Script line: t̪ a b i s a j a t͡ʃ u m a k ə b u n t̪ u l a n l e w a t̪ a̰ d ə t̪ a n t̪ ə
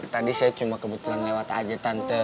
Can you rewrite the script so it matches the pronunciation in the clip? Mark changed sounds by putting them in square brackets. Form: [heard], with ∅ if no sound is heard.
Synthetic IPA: t̪ a [d] i s a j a t͡ʃ u m a k ə b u [∅] t̪ u l a n l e w a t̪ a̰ [d͡ʒ] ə t̪ a n t̪ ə